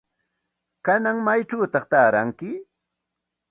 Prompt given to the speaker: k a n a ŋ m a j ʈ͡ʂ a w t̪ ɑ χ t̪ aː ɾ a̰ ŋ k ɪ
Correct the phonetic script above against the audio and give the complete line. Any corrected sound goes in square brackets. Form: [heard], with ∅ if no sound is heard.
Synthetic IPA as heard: k a n a ŋ m a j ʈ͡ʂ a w t̪ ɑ χ t̪ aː ɾ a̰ ŋ k ɪ